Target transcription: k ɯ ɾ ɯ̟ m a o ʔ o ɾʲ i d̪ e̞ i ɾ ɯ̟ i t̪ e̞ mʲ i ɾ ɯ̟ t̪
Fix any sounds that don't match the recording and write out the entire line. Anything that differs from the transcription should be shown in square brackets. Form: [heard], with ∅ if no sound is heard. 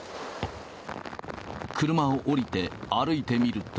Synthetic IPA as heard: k ɯ ɾ ɯ̟ m a o ʔ o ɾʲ i [t̪] e̞ [a] ɾ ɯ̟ i t̪ e̞ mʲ i ɾ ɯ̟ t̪